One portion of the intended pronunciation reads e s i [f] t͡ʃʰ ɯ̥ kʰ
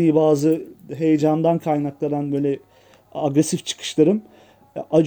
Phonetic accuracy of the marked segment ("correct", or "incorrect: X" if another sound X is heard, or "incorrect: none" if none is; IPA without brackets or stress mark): correct